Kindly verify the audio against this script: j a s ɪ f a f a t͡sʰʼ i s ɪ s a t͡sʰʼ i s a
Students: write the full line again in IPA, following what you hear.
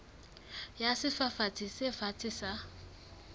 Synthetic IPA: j a s ɪ f a f a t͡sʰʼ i s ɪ f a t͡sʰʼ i s a